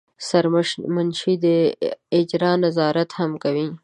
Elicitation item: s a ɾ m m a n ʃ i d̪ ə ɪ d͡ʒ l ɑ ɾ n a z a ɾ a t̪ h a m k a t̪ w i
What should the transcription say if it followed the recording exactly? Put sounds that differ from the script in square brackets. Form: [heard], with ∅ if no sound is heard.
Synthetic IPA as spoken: s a ɾ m m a n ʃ i d̪ ə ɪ d͡ʒ [ɾ] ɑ [∅] n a z [ɑ] ɾ a t̪ h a m k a [∅] w i